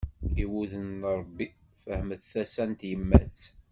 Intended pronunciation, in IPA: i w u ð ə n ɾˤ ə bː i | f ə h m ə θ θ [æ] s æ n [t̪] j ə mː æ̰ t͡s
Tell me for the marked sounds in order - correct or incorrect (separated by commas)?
correct, correct